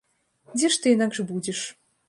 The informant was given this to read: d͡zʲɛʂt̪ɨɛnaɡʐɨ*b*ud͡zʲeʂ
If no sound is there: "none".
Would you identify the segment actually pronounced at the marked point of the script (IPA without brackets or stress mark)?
b